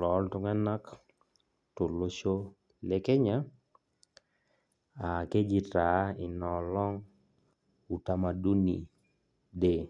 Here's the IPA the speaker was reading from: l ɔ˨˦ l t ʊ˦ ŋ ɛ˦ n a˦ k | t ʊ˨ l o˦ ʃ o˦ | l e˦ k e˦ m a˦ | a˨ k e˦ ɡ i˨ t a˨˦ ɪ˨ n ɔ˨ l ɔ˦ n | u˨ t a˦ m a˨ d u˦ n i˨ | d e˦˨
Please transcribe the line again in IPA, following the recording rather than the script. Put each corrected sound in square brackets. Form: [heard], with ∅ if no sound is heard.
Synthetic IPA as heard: l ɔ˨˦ l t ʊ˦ ŋ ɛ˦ n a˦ k | t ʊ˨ l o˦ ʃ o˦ | l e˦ k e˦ [ɲ] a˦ | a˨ k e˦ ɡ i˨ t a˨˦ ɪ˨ n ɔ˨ l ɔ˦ [ŋ] | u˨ t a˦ m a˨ d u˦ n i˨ | d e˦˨